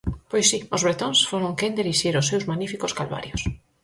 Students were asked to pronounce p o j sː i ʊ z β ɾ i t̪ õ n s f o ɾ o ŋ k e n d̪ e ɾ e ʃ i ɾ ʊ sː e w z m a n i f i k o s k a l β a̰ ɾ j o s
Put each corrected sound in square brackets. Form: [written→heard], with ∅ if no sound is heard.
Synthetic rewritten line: p o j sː i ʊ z β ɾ [i→e] t̪ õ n s f o ɾ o ŋ k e n d̪ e ɾ [e→i] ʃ i ɾ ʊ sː e w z m a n i f i k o s k a l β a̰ ɾ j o s